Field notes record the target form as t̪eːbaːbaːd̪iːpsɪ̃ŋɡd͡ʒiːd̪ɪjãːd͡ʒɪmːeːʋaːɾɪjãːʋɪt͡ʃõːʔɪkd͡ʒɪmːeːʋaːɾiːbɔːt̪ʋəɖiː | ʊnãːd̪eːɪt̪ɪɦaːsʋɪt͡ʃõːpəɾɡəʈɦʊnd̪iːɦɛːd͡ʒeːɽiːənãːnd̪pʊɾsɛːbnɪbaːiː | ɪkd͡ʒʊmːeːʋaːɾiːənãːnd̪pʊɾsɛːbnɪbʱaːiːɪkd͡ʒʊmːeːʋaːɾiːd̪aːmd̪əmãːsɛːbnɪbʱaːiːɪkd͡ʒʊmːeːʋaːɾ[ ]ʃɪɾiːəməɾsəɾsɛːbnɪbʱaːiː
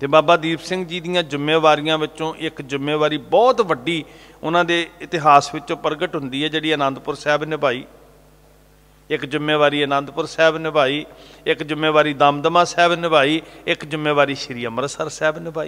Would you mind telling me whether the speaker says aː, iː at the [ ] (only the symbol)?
iː